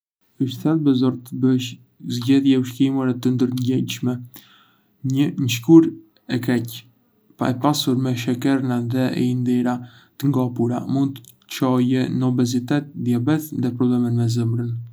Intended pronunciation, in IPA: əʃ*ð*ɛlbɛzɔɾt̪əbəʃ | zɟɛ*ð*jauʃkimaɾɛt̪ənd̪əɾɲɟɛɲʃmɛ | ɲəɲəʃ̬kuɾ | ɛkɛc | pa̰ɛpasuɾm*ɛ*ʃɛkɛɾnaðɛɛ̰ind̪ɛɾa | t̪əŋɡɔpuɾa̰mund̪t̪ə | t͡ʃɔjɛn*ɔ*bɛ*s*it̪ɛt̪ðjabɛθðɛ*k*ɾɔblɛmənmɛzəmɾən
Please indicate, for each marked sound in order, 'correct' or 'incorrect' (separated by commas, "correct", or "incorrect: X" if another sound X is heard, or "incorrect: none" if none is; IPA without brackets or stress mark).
incorrect: θ, correct, correct, correct, incorrect: z, incorrect: p